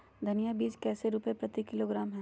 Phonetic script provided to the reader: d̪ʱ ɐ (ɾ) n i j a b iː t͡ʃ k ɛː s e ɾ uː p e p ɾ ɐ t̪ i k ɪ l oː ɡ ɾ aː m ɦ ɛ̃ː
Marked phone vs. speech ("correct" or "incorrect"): incorrect